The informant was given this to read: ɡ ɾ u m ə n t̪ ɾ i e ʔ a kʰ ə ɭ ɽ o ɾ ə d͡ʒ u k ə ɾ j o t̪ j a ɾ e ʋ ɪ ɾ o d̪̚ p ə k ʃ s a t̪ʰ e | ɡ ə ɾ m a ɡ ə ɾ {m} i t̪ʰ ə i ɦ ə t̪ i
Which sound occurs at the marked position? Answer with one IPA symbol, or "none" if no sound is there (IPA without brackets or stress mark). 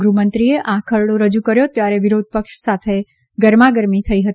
m